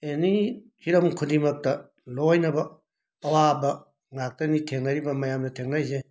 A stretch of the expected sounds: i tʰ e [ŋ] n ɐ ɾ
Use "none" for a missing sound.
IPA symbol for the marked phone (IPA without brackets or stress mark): ŋ